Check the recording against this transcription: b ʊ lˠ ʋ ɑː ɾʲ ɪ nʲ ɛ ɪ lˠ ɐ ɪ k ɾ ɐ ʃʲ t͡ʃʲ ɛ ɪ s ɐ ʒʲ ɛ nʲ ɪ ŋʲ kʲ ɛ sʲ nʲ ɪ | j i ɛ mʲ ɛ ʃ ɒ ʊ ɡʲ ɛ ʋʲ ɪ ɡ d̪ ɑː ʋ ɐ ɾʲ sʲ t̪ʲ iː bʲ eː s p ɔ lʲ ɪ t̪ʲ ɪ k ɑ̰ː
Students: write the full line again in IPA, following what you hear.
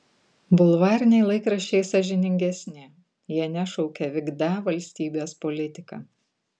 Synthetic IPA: b ʊ lˠ ʋ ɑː ɾʲ ɪ nʲ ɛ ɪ lˠ ɐ ɪ k ɾ ɐ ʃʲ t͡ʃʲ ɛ ɪ s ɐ ʒʲ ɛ nʲ ɪ ŋʲ ɡʲ ɛ sʲ nʲ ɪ | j i ɛ nʲ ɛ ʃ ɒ ʊ kʲ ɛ ʋʲ ɪ ɡ d̪ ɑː ʋ ɐ lʲ sʲ t̪ʲ iː bʲ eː s p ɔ lʲ ɪ t̪ʲ ɪ k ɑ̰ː

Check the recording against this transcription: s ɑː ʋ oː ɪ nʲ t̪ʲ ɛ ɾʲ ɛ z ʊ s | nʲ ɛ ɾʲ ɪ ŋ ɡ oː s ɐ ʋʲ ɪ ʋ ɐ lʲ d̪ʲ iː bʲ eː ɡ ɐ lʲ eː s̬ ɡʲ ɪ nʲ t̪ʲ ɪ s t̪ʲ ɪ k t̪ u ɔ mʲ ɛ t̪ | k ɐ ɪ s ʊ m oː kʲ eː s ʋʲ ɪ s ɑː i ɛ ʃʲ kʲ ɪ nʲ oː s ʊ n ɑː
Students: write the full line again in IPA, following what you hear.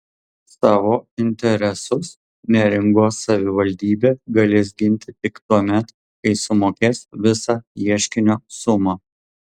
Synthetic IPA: s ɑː ʋ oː ɪ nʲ t̪ʲ ɛ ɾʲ ɛ s ʊ s | nʲ ɛ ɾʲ ɪ ŋ ɡ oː s ɐ ʋʲ ɪ ʋ ɐ lʲ d̪ʲ iː bʲ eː ɡ ɐ lʲ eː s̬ ɡʲ ɪ nʲ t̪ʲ ɪ t̪ʲ ɪ k t̪ u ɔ mʲ ɛ t̪ | k ɐ ɪ s ʊ m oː kʲ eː s ʋʲ ɪ s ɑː i ɛ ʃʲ kʲ ɪ nʲ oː s ʊ m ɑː

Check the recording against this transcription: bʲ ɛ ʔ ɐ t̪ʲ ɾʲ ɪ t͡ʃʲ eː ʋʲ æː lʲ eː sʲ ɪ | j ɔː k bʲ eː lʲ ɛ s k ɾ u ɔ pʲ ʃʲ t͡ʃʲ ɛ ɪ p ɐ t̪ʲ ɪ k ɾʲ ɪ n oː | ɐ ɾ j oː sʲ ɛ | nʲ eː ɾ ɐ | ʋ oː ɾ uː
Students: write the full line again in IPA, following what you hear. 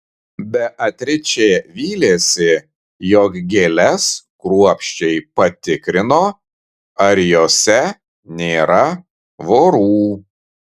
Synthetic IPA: bʲ ɛ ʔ ɐ t̪ʲ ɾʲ ɪ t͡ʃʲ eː ʋʲ iː lʲ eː sʲ ɪ | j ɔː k ɡʲ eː lʲ ɛ s k ɾ u ɔ pʲ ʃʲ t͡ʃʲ ɛ ɪ p ɐ t̪ʲ ɪ k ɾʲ ɪ n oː | ɐ ɾ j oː sʲ ɛ | nʲ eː ɾ ɐ | ʋ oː ɾ uː

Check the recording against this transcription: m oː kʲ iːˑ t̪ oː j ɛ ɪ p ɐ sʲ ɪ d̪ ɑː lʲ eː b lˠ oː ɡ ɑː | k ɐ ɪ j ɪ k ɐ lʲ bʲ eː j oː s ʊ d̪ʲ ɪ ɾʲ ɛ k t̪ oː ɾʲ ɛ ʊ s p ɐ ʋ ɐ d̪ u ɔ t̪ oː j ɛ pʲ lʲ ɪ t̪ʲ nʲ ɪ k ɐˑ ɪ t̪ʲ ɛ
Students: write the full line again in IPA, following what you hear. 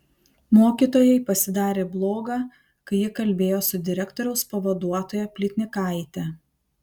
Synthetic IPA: m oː kʲ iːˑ t̪ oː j ɛ ɪ p ɐ sʲ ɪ d̪ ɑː ɾʲ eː b lˠ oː ɡ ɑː | k ɐ ɪ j ɪ k ɐ lʲ bʲ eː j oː s ʊ d̪ʲ ɪ ɾʲ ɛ k t̪ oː ɾʲ ɛ ʊ s p ɐ ʋ ɐ d̪ u ɔ t̪ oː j ɛ pʲ lʲ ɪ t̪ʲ nʲ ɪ k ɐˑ ɪ t̪ʲ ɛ

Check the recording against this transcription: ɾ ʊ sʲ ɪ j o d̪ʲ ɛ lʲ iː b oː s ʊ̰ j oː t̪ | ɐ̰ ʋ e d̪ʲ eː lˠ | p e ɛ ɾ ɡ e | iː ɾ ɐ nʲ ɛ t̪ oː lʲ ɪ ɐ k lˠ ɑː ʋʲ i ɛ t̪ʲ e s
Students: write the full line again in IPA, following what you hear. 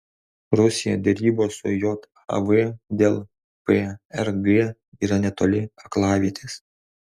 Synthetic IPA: ɾ ʊ sʲ ɪ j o d̪ʲ ɛ ɾʲ iː b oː s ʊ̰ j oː t̪ | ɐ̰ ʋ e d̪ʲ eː lˠ | p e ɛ ɾ ɡ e | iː ɾ ɐ nʲ ɛ t̪ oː lʲ ɪ ɐ k lˠ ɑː ʋʲ i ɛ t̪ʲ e s

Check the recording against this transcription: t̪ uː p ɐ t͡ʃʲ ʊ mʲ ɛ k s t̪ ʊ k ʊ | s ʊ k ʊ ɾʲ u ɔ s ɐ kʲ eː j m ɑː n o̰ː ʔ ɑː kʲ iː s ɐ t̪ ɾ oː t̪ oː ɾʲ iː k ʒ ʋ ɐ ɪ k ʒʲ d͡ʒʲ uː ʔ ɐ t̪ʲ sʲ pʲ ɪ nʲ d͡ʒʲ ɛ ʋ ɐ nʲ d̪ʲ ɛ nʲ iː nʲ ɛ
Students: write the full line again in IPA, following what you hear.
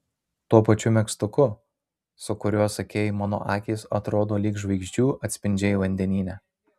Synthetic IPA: t̪ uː p ɐ t͡ʃʲ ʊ mʲ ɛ k s t̪ ʊ k ʊ | s ʊ k ʊ ɾʲ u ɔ s ɐ kʲ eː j m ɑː n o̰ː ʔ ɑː kʲ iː s ɐ t̪ ɾ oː d̪ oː lʲ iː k ʒ ʋ ɐ ɪ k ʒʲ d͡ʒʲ uː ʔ ɐ t̪ʲ sʲ pʲ ɪ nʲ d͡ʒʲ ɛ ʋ ɐ nʲ d̪ʲ ɛ nʲ iː nʲ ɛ

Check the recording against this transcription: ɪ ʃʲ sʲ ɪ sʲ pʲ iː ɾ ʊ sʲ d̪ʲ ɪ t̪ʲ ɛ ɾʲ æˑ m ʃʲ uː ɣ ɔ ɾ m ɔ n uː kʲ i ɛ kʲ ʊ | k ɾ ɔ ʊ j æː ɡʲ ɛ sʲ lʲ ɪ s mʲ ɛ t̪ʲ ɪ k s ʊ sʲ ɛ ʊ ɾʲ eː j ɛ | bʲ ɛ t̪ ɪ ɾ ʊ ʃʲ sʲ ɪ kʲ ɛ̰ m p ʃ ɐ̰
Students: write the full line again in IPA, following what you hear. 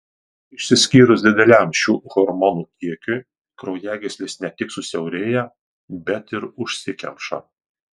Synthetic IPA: ɪ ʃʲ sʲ ɪ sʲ kʲ iː ɾ ʊ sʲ d̪ʲ ɪ d̪ʲ ɛ lʲ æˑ m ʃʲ uː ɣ ɔ ɾ m ɔ n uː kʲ i ɛ kʲ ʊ | k ɾ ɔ ʊ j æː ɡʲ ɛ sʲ lʲ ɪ s nʲ ɛ t̪ʲ ɪ k s ʊ sʲ ɛ ʊ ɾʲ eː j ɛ | bʲ ɛ t̪ ɪ ɾ ʊ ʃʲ sʲ ɪ kʲ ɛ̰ m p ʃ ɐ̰

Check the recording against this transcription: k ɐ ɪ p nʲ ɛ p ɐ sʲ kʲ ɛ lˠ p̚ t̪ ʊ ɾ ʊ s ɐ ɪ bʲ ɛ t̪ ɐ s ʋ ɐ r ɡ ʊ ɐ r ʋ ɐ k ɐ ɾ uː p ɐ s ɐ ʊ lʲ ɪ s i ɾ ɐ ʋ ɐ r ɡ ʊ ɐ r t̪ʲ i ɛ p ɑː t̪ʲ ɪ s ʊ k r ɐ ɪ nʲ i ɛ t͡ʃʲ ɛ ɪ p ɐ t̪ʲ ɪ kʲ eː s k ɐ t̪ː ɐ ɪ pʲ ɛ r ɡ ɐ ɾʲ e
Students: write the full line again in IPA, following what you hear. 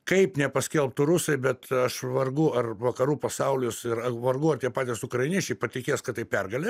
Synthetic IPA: k ɐ ɪ p nʲ ɛ p ɐ sʲ kʲ ɛ lˠ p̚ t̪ ʊ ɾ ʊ s ɐ ɪ bʲ ɛ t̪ ɐ ʃ ʋ ɐ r ɡ ʊ ɐ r ʋ ɐ k ɐ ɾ uː p ɐ s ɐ ʊ lʲ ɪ s ɪ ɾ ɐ ʋ ɐ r ɡ ʊ ɐ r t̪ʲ i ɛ p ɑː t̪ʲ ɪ s ʊ k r ɐ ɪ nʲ i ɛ t͡ʃʲ ɛ ɪ p ɐ t̪ʲ ɪ kʲ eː s k ɐ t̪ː ɐ ɪ pʲ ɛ r ɡ ɐ lʲ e

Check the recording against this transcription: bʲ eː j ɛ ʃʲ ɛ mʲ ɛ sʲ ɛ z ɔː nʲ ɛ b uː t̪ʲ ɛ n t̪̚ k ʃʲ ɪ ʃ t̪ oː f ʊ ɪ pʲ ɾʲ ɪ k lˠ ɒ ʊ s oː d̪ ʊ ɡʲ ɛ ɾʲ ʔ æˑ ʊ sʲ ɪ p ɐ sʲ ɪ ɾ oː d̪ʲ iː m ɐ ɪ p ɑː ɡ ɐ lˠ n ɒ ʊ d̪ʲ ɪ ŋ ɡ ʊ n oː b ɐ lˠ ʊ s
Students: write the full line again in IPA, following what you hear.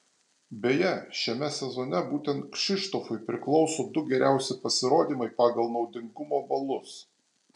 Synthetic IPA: bʲ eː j ɛ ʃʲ ɛ mʲ ɛ sʲ ɛ z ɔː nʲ ɛ b uː t̪ʲ ɛ n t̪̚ k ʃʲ ɪ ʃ t̪ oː f ʊ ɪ pʲ ɾʲ ɪ k lˠ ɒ ʊ s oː d̪ ʊ ɡʲ ɛ ɾʲ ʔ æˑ ʊ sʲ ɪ p ɐ sʲ ɪ ɾ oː d̪ʲ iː m ɐ ɪ p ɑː ɡ ɐ lˠ n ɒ ʊ d̪ʲ ɪ ŋ ɡ ʊ m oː b ɐ lˠ ʊ s

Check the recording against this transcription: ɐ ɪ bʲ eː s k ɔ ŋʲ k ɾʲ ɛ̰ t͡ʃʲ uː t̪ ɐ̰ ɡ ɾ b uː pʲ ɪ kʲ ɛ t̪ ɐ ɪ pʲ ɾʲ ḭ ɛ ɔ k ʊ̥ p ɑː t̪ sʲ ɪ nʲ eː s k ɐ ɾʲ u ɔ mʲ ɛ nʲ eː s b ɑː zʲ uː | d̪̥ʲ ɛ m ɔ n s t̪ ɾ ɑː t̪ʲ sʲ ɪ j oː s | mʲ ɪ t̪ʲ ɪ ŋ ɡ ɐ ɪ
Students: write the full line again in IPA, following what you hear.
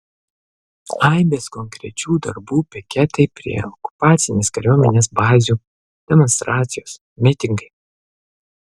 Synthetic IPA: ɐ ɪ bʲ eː s k ɔ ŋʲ k ɾʲ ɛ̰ t͡ʃʲ uː d̪ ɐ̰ ɾ b uː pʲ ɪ kʲ ɛ t̪ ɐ ɪ pʲ ɾʲ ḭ ɛ ɔ k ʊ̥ p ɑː t̪ sʲ ɪ nʲ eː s k ɐ ɾʲ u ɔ mʲ ɛ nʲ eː s b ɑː zʲ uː | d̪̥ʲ ɛ m ɔ n s t̪ ɾ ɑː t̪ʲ sʲ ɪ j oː s | mʲ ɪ t̪ʲ ɪ ŋ ɡ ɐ ɪ

